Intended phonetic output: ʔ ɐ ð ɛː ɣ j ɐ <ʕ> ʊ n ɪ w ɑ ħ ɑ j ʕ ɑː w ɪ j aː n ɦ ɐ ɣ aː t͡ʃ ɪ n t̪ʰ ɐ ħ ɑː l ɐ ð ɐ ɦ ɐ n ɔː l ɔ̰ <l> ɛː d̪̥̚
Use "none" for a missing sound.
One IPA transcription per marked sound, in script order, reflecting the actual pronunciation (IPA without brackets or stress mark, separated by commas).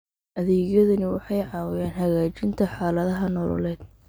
ð, l